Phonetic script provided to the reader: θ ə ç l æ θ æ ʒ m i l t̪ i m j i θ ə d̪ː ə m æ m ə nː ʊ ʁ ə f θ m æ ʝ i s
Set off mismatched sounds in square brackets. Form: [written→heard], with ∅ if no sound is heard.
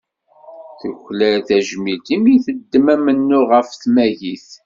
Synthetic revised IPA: θ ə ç l æ θ æ ʒ m i l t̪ i m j i θ ə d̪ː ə m æ m ə nː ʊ ʁ ə f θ m æ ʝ i [s→θ]